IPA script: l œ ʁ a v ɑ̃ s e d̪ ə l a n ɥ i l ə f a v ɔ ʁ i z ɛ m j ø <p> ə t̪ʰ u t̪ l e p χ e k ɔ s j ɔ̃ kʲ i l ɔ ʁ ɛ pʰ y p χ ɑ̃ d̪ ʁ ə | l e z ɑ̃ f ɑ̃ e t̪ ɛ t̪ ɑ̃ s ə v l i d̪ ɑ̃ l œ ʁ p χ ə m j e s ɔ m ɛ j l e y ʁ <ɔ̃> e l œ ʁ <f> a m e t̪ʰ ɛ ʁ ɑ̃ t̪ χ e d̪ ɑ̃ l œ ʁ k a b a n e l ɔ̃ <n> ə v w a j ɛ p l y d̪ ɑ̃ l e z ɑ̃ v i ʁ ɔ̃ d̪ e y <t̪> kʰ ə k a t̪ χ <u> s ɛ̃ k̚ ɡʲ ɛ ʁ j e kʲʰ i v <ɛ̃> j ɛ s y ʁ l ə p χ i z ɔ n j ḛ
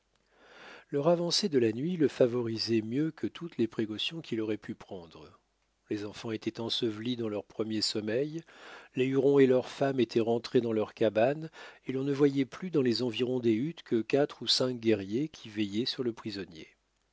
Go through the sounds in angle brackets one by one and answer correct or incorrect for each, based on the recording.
incorrect: k, correct, correct, correct, correct, correct, incorrect: ɛ

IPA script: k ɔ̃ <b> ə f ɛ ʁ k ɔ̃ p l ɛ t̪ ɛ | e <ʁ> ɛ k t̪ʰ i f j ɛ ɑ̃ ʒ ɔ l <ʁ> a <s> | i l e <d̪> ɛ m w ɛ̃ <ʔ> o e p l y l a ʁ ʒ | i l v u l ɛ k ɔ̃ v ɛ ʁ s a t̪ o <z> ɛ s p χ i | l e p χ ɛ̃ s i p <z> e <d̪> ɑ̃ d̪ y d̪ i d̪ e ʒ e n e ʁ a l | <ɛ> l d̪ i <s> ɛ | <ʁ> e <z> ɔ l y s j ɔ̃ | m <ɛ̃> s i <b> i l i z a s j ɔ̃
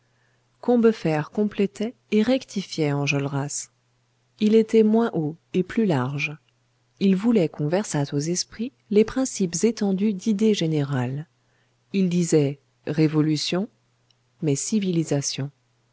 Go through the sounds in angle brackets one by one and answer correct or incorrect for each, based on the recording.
correct, correct, correct, correct, incorrect: t̪, correct, correct, correct, incorrect: t̪, incorrect: i, incorrect: z, correct, incorrect: v, incorrect: ɛ, incorrect: v

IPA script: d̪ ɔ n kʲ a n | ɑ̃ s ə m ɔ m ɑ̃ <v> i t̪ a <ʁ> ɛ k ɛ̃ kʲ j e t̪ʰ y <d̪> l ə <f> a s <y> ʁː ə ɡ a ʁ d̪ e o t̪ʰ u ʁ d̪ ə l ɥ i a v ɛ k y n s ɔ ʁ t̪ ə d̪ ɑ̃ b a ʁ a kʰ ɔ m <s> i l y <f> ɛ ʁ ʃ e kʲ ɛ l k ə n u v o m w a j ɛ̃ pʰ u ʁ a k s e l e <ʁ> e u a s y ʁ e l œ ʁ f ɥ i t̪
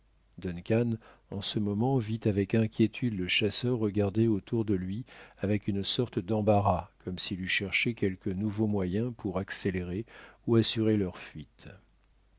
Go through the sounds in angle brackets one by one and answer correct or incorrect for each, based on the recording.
correct, incorrect: v, correct, incorrect: ʃ, incorrect: œ, correct, incorrect: ʃ, correct

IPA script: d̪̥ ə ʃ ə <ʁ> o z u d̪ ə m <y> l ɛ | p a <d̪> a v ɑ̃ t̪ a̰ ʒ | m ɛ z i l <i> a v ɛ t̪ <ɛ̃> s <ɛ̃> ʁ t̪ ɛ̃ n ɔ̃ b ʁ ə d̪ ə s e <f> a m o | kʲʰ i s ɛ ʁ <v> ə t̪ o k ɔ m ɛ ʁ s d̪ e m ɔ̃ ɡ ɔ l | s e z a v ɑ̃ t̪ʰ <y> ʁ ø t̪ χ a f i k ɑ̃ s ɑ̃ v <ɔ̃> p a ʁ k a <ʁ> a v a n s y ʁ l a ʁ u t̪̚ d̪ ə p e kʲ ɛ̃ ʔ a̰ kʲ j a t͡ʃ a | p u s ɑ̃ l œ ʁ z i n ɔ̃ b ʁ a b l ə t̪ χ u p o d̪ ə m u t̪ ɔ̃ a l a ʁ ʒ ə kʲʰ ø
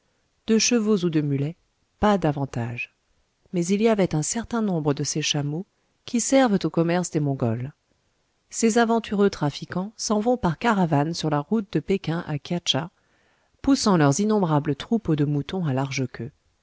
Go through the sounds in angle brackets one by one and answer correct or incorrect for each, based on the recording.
incorrect: v, correct, correct, correct, correct, incorrect: ɛ, incorrect: ʃ, correct, correct, correct, correct

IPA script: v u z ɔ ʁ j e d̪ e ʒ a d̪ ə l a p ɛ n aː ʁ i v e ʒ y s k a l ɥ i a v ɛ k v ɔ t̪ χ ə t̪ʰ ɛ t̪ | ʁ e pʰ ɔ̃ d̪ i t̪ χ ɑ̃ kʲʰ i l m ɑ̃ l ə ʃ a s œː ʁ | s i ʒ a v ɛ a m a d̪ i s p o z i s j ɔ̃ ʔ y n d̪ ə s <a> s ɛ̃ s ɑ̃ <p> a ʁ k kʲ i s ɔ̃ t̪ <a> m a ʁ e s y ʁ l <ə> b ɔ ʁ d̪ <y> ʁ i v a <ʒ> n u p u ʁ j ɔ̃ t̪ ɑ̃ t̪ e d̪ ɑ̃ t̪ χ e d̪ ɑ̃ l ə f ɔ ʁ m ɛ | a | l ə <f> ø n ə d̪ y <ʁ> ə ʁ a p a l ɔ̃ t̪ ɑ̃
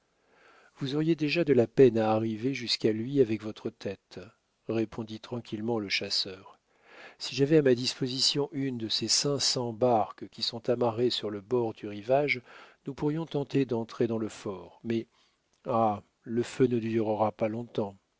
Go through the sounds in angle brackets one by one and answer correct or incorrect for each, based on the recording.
incorrect: e, incorrect: b, correct, correct, correct, correct, correct, correct

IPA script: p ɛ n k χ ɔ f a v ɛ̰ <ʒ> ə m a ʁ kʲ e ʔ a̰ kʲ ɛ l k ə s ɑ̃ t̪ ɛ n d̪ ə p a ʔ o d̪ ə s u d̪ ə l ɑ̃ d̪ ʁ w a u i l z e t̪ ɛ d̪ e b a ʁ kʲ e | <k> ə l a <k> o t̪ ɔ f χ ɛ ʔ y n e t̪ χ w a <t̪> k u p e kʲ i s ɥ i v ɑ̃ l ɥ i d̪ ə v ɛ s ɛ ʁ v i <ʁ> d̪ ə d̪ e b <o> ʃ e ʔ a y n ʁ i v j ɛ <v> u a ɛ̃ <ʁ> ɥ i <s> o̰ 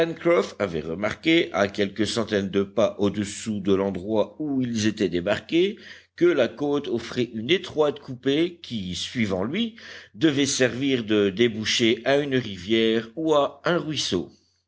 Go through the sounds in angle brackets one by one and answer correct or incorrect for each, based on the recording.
incorrect: ʁ, correct, correct, correct, correct, incorrect: u, incorrect: ʁ, correct, correct

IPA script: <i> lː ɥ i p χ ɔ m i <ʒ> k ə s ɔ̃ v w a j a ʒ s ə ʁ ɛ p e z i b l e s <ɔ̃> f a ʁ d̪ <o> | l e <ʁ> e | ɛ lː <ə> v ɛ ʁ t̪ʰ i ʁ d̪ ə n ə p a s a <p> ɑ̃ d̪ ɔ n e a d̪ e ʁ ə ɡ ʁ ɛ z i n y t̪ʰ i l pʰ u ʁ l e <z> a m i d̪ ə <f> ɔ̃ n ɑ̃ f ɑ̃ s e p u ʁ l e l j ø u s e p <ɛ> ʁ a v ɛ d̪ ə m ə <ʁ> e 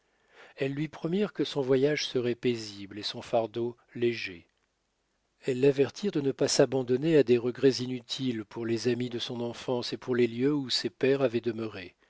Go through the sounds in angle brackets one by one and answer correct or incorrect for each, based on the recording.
incorrect: ɛ, incorrect: ʁ, correct, correct, incorrect: ʒ, incorrect: a, incorrect: b, correct, incorrect: s, correct, correct

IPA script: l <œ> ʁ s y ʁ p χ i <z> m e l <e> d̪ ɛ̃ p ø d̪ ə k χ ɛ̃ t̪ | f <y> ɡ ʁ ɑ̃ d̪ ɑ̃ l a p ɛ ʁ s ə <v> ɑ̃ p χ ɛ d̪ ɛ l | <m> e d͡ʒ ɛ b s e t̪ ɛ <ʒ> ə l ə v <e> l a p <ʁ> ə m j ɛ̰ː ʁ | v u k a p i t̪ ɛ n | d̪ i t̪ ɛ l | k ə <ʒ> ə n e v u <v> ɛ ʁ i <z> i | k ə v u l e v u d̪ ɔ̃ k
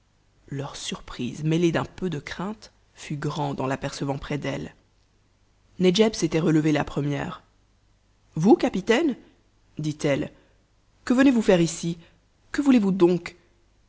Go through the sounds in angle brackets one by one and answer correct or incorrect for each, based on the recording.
correct, correct, correct, correct, correct, incorrect: n, incorrect: ʁ, correct, incorrect: χ, incorrect: v, incorrect: f, incorrect: s

